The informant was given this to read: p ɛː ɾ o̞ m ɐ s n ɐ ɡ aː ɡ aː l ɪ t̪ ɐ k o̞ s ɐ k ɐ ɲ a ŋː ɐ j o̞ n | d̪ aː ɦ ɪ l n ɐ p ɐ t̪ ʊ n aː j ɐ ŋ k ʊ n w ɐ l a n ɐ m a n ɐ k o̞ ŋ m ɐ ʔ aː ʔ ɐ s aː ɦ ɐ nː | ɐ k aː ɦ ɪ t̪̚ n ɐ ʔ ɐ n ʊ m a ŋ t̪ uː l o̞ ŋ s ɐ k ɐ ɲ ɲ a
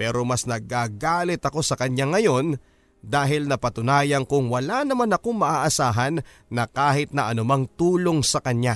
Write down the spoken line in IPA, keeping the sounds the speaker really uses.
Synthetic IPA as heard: p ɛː ɾ o̞ m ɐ s n ɐ ɡ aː ɡ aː l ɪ t̪ ɐ k o̞ s ɐ k ɐ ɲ a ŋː ɐ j o̞ n | d̪ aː ɦ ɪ l n ɐ p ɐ t̪ ʊ n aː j ɐ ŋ k ʊ ŋ w ɐ l a n ɐ m a n ɐ k o̞ ŋ m ɐ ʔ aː ʔ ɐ s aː ɦ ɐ nː | ɐ k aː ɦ ɪ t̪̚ n ɐ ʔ ɐ n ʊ m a ŋ t̪ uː l o̞ ŋ s ɐ k ɐ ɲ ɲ a